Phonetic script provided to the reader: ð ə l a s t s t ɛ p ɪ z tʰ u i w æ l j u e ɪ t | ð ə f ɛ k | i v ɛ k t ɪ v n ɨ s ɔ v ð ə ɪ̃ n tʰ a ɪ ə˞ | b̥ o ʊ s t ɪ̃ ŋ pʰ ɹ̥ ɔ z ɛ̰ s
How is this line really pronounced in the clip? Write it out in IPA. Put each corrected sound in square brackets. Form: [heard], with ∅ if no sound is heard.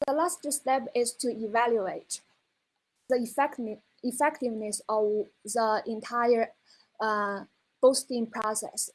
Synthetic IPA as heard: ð ə l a s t s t ɛ p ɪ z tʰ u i [v] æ l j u e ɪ t | ð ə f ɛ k | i [f] ɛ k t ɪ v n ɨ s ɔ v ð ə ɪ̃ n tʰ a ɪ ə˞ | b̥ o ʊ s t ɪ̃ ŋ pʰ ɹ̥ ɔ [s] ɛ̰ s